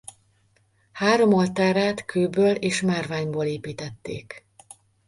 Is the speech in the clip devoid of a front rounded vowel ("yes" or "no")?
no